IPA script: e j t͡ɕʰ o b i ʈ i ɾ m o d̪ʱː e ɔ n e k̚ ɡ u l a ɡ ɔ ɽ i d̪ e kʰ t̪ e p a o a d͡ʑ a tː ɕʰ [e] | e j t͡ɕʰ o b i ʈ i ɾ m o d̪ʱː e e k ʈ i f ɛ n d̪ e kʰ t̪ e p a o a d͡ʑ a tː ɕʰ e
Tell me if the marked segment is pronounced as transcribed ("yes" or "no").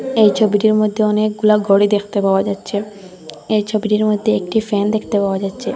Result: yes